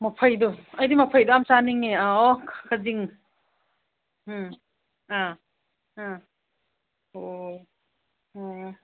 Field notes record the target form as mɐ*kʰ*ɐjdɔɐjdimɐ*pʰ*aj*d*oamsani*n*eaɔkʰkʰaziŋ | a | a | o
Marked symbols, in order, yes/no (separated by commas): no, yes, yes, no